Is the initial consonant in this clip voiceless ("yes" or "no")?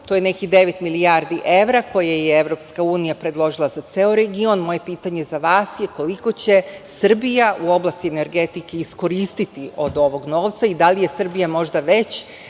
yes